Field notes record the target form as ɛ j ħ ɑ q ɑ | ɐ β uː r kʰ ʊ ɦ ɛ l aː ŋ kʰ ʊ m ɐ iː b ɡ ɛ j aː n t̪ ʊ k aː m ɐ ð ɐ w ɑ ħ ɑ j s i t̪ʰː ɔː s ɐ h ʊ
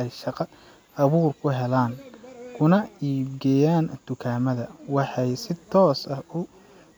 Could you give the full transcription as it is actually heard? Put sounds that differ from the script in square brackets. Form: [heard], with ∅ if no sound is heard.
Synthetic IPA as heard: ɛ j [ʃ] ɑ q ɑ | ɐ β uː r kʰ ʊ ɦ ɛ l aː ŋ kʰ ʊ [n] ɐ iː b ɡ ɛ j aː n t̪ ʊ [kʰ] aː m ɐ ð ɐ w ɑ ħ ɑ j s [ɪ] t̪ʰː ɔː s ɐ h ʊ